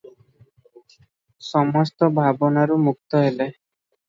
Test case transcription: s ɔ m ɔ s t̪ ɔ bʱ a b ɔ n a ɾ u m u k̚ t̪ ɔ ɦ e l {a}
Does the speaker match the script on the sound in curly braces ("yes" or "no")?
no